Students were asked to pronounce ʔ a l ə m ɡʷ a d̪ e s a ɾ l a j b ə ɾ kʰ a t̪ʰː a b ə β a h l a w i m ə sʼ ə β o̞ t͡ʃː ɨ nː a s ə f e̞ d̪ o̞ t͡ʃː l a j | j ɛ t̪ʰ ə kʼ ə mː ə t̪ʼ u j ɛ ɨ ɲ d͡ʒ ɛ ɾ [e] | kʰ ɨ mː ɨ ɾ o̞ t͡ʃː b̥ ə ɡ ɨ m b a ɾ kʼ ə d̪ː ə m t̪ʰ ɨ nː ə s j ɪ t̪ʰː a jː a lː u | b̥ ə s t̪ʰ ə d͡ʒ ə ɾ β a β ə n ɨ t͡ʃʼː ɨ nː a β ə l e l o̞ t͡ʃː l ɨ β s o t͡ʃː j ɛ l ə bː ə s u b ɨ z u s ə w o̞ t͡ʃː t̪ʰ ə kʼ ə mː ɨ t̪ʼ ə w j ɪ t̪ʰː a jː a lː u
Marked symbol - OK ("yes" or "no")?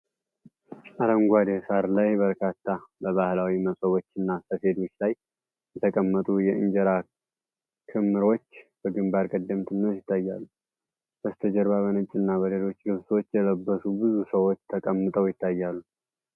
no